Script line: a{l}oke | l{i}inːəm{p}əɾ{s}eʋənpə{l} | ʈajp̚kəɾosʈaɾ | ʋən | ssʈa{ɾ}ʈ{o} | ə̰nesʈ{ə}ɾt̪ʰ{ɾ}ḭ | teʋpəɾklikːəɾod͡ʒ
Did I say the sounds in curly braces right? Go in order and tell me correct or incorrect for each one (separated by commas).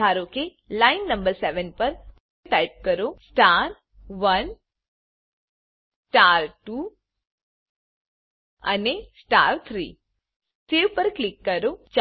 incorrect, incorrect, incorrect, correct, incorrect, correct, incorrect, incorrect, correct